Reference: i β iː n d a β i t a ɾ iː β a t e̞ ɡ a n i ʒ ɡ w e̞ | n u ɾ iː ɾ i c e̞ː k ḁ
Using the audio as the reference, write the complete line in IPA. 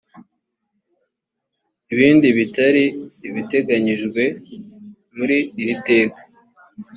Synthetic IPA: i β iː n d i β i t a ɾ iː β i t e̞ ɡ a ɲ i ʒ ɡ w e̞ | m u ɾ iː ɾ i t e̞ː k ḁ